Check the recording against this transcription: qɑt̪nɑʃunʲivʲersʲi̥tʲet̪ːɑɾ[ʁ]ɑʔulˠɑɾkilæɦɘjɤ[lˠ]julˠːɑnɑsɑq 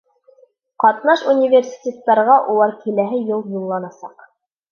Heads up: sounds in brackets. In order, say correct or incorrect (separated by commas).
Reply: correct, correct